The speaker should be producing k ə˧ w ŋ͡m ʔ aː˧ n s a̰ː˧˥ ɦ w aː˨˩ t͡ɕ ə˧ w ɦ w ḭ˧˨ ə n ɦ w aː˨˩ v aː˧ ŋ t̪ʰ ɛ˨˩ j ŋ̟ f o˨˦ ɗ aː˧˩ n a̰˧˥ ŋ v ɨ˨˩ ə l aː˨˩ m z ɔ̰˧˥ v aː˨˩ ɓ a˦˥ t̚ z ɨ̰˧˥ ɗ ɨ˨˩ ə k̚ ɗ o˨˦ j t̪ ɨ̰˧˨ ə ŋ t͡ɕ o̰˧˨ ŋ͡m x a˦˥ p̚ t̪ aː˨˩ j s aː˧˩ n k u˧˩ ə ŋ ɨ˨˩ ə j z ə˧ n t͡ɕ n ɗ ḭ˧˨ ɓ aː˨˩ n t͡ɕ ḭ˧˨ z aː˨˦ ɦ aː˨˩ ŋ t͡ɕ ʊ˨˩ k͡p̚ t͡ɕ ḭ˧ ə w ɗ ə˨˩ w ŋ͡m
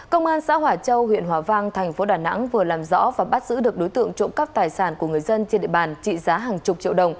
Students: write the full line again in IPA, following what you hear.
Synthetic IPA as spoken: k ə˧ w ŋ͡m ʔ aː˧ n s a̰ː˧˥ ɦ w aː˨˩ t͡ɕ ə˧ w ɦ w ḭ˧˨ ə n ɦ w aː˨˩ v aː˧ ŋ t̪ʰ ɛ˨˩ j ŋ̟ f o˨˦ ɗ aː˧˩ n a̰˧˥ ŋ v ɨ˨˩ ə l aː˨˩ m z ɔ̰˧˥ v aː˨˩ ɓ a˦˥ t̚ z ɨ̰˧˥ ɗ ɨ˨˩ ə k̚ ɗ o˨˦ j t̪ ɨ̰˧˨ ə ŋ t͡ɕ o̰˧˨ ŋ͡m k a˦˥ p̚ t̪ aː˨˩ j s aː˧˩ n k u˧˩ ə ŋ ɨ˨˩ ə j z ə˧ n t͡ɕ n ɗ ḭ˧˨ ɓ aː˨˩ n t͡ɕ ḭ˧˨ z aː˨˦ ɦ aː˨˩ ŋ t͡ɕ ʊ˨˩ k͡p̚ t͡ɕ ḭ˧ ə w ɗ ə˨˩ w ŋ͡m